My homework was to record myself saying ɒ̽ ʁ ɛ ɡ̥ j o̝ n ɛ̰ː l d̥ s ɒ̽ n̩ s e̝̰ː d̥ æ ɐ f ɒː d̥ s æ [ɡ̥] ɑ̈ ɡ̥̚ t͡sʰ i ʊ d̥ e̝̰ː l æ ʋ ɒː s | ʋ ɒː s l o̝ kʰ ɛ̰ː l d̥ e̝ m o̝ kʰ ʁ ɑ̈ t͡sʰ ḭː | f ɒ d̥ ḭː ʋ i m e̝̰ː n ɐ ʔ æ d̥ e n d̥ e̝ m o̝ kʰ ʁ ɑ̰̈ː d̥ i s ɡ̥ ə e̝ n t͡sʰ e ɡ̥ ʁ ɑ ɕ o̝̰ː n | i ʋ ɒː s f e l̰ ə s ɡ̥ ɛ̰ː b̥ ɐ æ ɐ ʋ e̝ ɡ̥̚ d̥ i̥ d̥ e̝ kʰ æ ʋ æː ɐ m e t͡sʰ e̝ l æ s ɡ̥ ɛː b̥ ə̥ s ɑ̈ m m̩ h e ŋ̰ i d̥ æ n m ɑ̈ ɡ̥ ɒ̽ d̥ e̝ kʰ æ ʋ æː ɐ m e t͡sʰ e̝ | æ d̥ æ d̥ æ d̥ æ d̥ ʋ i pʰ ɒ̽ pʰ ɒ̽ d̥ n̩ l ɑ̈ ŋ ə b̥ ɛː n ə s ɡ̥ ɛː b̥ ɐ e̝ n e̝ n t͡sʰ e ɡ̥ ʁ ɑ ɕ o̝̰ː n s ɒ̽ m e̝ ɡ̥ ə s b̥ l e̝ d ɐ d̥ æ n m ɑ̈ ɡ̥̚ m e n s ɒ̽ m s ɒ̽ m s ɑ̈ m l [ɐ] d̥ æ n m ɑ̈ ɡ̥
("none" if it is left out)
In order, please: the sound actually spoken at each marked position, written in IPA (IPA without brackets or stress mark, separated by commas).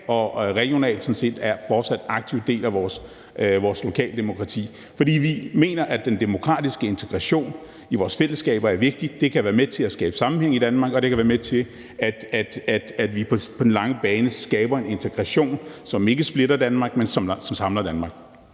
d̥, ɐ